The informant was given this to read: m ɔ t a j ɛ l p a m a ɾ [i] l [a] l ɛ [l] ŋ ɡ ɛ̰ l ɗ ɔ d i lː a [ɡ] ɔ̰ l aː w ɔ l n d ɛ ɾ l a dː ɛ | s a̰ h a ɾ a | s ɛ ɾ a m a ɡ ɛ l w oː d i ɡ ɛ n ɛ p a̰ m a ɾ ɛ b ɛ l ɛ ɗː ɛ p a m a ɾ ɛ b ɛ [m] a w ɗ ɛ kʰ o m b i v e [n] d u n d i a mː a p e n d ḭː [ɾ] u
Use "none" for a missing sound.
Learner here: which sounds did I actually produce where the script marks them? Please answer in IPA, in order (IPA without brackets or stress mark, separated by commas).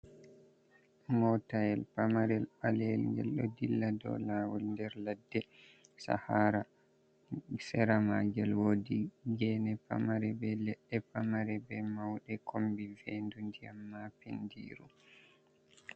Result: ɛ, a, l, d, m, n, ɾ